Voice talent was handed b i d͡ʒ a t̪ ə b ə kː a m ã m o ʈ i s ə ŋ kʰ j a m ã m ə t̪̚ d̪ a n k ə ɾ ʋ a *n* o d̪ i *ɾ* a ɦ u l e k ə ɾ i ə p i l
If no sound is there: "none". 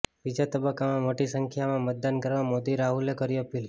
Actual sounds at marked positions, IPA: m, ɾ

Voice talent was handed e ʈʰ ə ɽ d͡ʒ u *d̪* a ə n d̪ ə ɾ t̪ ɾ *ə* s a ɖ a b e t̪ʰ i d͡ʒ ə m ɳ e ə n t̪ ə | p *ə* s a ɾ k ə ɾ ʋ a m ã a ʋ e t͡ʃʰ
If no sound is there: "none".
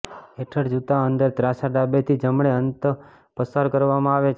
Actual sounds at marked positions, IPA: t̪, a, ə

